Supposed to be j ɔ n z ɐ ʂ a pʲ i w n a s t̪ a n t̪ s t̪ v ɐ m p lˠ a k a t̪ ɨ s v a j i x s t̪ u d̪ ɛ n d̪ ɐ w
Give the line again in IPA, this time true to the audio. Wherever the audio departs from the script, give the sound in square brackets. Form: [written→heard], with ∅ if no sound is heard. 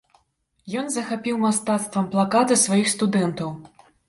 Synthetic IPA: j ɔ n z ɐ [ʂ→x] a pʲ i w [n→m] a s t̪ a [n→∅] t̪ s t̪ v ɐ m p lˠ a k a t̪ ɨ s v a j i x s t̪ u d̪ ɛ n [d̪→t̪] ɐ w